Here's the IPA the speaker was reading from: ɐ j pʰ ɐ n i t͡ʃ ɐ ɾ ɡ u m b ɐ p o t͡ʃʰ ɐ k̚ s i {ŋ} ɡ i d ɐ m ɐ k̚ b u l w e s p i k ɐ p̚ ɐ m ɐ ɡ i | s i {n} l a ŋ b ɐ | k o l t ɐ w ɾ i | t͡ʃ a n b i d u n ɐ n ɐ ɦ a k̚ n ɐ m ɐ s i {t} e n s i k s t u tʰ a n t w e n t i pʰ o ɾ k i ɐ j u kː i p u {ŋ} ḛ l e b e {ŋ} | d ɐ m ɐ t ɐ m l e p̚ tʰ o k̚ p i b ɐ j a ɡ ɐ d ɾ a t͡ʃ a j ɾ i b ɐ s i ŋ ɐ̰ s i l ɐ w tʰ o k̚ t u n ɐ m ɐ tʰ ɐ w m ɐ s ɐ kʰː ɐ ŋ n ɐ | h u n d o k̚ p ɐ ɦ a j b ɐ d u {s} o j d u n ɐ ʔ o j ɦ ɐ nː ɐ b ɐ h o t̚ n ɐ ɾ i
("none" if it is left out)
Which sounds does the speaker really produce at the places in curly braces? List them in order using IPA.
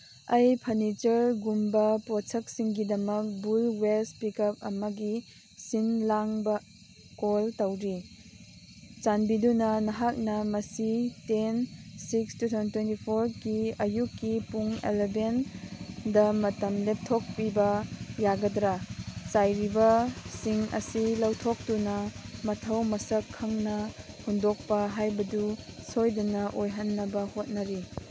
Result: ŋ, n, t, ŋ, n, s

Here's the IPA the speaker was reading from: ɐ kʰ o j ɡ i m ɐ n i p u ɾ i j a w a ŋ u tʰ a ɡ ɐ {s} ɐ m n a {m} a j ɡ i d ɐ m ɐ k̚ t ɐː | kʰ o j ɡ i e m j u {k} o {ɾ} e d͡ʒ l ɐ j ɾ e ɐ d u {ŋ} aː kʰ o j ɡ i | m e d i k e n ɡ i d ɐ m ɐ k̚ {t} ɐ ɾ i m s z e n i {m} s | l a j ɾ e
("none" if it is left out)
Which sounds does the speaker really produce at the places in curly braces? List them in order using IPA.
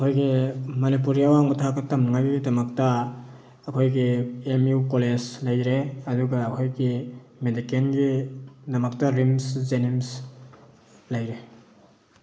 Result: t, ŋ, k, l, ɡ, t, m

